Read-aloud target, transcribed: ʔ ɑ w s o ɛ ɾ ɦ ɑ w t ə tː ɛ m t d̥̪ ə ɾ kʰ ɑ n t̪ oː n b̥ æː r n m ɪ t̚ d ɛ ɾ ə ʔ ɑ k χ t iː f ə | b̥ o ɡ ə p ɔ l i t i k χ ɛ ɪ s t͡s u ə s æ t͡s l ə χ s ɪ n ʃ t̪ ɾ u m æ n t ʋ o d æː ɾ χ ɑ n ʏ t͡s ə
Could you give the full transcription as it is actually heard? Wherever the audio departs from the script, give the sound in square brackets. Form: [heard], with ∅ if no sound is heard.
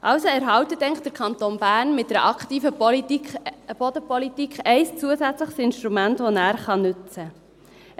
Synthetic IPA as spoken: ʔ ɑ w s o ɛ ɾ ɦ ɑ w t ə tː ɛ [ŋ] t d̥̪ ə ɾ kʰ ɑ n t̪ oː n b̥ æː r n m ɪ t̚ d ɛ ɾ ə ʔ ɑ k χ t iː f ə | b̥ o [d] ə p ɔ l i t i k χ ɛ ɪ s t͡s u ə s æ t͡s l ə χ s ɪ n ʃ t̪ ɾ u m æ n t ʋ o [n] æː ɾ χ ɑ n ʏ t͡s ə